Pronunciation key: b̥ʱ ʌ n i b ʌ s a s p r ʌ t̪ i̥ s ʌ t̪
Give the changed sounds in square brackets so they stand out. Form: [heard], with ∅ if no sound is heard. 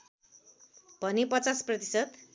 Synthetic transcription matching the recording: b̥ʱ ʌ n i [p] ʌ [t͡s] a s p r ʌ t̪ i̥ s ʌ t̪